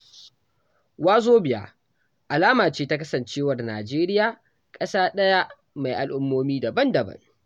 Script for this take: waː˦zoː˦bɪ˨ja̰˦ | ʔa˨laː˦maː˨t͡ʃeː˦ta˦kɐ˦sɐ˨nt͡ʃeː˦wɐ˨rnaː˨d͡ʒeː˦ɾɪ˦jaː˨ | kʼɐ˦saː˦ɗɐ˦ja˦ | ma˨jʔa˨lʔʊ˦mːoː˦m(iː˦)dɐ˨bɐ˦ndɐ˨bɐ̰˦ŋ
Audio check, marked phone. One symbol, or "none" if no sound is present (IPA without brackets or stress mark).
iː˦